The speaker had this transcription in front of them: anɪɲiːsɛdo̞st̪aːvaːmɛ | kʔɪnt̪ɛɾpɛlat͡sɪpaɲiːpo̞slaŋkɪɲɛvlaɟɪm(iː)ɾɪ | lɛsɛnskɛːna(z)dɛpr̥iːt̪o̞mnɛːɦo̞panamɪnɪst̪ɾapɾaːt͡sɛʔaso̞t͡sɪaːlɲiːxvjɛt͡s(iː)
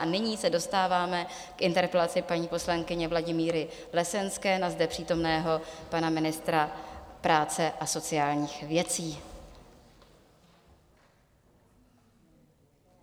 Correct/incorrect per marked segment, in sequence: correct, correct, correct

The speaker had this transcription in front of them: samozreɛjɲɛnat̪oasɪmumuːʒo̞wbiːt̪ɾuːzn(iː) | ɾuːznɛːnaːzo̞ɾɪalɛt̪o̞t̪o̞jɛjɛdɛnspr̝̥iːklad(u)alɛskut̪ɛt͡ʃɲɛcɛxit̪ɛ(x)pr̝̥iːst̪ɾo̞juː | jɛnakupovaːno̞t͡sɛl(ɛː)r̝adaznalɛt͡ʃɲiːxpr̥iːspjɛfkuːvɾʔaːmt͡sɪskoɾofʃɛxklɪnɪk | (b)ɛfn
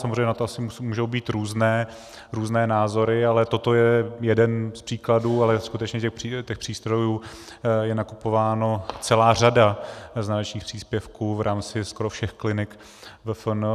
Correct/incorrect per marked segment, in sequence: incorrect: ɛː, incorrect: uː, correct, incorrect: aː, incorrect: v

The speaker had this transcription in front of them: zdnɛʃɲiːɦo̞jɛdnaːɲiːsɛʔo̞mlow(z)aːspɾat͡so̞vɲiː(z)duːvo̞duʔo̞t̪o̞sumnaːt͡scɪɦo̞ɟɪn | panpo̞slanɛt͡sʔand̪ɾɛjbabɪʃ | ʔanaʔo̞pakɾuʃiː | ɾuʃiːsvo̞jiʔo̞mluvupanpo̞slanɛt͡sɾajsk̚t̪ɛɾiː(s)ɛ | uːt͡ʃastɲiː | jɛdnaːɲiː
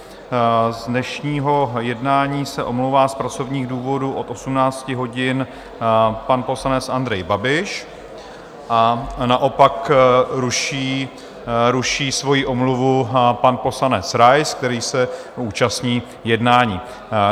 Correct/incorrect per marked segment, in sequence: incorrect: v, incorrect: ɣ, correct

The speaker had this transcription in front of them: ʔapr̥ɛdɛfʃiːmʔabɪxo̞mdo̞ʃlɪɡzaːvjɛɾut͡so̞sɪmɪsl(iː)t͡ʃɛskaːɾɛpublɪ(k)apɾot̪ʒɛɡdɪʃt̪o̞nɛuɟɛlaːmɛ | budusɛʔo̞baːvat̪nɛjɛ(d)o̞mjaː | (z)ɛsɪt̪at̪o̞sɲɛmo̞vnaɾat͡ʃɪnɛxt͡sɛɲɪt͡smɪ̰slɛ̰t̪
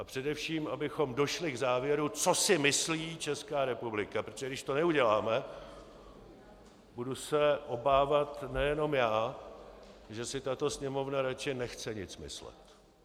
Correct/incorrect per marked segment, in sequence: correct, correct, incorrect: n, incorrect: ʒ

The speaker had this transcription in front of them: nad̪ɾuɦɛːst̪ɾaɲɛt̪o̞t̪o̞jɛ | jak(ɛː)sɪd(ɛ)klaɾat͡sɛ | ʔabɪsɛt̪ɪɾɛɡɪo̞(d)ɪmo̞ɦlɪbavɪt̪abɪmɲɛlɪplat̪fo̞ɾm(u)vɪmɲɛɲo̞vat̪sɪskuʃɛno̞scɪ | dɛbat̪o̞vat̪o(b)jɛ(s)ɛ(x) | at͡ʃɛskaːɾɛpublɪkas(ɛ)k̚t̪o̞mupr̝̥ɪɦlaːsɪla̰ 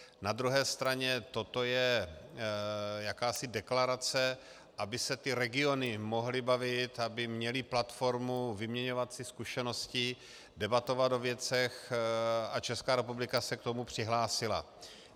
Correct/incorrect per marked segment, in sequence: incorrect: aː, correct, incorrect: n, correct, incorrect: v, incorrect: t͡s, correct, correct

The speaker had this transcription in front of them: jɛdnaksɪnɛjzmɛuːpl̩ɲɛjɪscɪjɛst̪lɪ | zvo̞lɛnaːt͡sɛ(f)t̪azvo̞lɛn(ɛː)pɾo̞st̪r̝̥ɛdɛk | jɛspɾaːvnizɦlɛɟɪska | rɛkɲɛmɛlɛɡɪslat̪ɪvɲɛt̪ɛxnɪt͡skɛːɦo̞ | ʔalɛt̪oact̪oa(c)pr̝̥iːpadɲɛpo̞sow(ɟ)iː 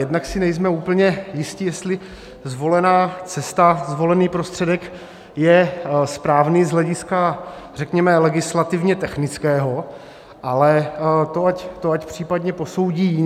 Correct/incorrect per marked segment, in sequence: incorrect: s, incorrect: iː, correct, correct

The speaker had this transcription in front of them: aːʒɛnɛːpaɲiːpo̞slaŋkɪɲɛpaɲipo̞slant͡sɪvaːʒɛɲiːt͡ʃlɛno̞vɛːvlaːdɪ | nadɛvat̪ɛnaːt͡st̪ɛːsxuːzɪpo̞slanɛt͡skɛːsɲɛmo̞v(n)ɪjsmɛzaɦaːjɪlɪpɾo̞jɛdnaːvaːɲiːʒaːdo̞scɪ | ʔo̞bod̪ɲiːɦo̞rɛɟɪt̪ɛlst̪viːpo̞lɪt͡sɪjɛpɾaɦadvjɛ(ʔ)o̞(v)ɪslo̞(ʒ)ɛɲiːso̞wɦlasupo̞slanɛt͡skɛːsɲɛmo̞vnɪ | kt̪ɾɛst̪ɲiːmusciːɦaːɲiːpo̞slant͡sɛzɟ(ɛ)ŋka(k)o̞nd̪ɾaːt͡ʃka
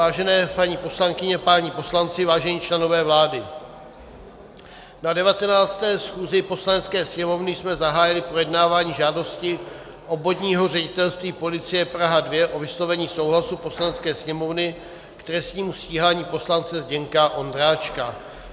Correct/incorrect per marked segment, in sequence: correct, correct, correct, incorrect: v, correct, incorrect: ʔ

